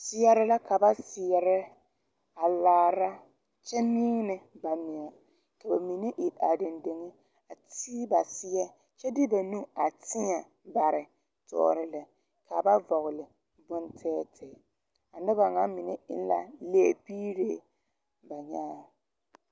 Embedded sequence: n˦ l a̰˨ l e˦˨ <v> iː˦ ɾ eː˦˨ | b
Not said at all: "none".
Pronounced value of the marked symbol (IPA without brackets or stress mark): b